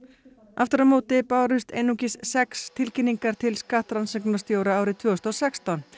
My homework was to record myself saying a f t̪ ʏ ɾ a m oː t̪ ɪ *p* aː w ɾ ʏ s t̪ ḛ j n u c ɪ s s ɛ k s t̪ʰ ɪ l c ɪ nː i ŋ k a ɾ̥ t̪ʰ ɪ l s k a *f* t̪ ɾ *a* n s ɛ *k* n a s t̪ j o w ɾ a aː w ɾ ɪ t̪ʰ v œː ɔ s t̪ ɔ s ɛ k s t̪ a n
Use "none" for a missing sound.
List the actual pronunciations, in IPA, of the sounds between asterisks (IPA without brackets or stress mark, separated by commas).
p, h, a, k